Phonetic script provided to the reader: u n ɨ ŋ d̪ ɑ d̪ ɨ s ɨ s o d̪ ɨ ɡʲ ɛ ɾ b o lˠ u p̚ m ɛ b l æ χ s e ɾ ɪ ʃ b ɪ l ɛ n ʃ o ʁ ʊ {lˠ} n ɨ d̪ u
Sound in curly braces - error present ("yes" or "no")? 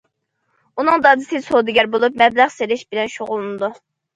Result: no